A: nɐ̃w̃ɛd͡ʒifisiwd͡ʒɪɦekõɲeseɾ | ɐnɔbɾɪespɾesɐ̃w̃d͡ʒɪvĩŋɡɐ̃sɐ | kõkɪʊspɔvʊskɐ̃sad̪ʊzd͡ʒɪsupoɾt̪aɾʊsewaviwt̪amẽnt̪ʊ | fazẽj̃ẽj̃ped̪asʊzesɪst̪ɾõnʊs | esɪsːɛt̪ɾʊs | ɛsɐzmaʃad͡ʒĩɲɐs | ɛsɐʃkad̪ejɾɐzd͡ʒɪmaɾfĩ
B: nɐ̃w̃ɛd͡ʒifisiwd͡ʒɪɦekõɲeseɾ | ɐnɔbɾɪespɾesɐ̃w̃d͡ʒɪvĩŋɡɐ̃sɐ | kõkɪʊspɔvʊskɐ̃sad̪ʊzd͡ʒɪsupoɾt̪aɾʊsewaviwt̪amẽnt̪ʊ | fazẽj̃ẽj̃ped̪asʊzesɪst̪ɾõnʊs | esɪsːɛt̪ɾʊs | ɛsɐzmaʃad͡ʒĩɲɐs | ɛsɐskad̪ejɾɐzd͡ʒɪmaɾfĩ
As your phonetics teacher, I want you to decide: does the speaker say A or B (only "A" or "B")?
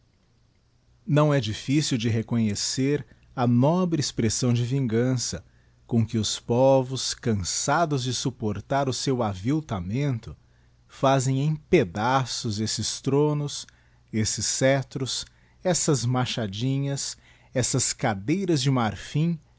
B